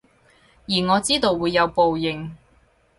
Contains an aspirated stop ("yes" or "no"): no